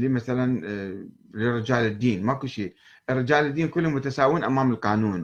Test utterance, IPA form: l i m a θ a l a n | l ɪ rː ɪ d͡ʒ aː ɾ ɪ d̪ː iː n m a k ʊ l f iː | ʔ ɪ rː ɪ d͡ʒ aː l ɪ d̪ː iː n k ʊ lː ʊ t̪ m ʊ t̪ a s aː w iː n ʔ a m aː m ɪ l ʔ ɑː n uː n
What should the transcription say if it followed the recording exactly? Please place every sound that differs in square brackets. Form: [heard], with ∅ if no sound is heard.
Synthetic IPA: l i m a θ a l a n | l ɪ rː ɪ d͡ʒ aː [l] ɪ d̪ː iː n m a k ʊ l [ʃ] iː | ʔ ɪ rː ɪ d͡ʒ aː l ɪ d̪ː iː n k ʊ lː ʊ [∅] m ʊ t̪ a s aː w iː n ʔ a m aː m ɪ l [q] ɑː n uː n